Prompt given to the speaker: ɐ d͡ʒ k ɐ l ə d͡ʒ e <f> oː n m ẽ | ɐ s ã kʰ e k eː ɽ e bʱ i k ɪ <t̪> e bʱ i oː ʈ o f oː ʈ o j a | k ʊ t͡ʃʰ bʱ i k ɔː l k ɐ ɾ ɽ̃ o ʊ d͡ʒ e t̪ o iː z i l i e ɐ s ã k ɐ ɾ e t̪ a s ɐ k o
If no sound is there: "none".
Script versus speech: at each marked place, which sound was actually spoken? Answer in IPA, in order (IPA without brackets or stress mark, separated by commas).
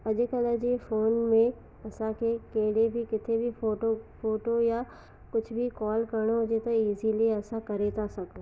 f, t̪ʰ